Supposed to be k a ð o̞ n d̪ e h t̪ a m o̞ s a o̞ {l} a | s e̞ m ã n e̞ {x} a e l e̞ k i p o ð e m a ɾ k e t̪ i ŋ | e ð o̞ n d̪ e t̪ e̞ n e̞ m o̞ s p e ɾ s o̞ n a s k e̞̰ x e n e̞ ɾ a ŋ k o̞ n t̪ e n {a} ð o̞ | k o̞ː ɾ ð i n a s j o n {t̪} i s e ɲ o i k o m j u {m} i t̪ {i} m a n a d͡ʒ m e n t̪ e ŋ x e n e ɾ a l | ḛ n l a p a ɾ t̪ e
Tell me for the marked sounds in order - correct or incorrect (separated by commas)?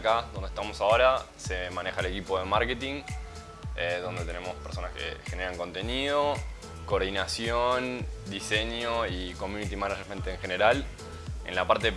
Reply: incorrect, correct, incorrect, incorrect, incorrect, correct